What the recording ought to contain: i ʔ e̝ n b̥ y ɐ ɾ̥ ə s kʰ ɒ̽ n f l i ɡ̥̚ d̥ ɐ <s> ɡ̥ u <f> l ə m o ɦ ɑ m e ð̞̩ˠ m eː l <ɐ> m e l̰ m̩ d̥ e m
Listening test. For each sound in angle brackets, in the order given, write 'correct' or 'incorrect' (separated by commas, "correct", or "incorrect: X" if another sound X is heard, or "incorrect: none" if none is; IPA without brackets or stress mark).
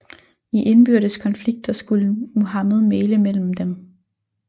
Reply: correct, incorrect: none, incorrect: ə